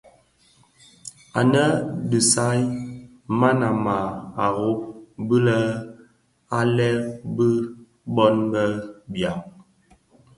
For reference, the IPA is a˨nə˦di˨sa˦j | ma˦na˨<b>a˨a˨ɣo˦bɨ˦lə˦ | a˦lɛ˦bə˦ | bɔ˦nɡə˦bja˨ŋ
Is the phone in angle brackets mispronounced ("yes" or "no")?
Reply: yes